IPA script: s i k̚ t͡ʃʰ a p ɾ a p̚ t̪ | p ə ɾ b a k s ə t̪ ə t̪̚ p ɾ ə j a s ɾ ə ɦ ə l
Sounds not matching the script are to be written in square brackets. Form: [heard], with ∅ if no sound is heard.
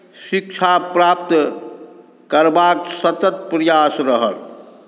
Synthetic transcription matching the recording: s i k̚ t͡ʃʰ a p ɾ a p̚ t̪ | [k] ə ɾ b a k s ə t̪ ə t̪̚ p ɾ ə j a s ɾ ə ɦ ə l